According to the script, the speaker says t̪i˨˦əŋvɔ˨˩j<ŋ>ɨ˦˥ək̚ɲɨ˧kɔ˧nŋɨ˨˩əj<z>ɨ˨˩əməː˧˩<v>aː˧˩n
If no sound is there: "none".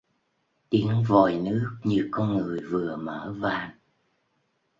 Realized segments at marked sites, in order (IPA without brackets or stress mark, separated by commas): n, v, v